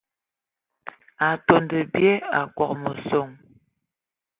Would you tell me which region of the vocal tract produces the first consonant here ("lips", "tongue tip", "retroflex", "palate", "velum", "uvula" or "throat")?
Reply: tongue tip